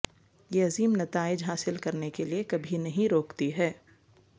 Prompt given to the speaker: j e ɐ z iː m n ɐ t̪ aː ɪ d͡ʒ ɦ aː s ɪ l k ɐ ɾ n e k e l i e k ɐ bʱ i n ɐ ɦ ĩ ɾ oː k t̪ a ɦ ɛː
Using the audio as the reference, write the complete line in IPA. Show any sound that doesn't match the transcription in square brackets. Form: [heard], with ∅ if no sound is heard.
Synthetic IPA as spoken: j e ɐ z iː m n ɐ t̪ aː ɪ d͡ʒ ɦ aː s ɪ l k ɐ ɾ n e k e l i e k ɐ bʱ i n ɐ ɦ ĩ ɾ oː k t̪ [i] ɦ ɛː